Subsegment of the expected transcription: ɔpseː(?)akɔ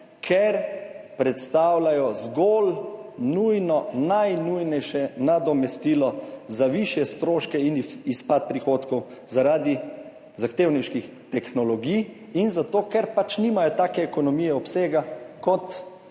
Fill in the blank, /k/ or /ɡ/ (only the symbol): ɡ